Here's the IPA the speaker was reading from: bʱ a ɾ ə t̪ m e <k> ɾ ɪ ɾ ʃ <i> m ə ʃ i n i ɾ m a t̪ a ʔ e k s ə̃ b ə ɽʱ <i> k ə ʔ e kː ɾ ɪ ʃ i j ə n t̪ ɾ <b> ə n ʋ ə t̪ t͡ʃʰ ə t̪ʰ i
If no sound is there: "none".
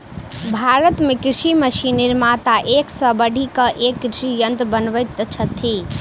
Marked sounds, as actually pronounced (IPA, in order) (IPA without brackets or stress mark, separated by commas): k, i, i, b